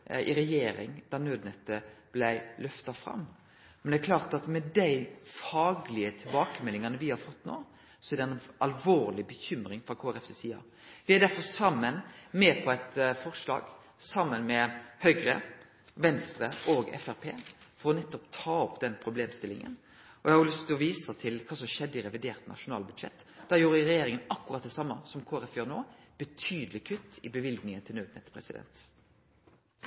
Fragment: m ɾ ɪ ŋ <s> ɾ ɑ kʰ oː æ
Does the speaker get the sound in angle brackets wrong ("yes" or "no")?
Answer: yes